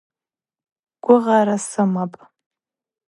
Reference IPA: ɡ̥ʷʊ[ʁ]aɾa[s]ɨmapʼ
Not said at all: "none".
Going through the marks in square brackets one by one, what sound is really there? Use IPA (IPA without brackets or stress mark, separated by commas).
ʁ, s